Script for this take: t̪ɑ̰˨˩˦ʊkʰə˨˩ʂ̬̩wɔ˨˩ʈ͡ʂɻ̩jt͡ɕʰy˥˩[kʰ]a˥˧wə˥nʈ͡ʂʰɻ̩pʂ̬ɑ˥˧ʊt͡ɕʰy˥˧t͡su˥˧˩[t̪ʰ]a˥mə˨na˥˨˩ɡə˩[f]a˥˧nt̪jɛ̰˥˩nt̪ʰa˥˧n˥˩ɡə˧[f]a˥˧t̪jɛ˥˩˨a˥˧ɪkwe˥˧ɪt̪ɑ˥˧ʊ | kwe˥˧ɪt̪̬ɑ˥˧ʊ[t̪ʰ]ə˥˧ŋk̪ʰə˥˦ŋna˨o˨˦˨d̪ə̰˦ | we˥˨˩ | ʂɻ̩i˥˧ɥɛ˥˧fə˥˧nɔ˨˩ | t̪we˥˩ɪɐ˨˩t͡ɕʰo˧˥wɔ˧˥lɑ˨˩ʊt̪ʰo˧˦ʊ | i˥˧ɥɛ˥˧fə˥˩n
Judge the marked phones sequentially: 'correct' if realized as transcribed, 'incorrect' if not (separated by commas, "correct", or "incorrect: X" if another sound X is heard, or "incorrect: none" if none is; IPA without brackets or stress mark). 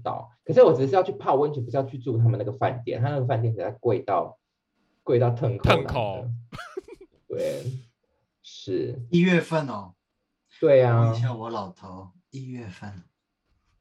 incorrect: pʰ, correct, correct, correct, correct